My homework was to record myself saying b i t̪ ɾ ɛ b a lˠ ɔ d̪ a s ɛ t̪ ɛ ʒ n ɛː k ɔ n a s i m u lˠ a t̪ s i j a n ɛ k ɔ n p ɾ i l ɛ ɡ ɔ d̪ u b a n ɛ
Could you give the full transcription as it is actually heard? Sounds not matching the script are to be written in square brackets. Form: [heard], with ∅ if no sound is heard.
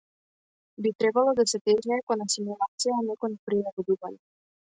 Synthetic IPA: b i t̪ ɾ ɛ b a lˠ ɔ d̪ a s ɛ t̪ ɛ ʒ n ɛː k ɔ n a s i m u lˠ a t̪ s i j a n ɛ k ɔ n p ɾ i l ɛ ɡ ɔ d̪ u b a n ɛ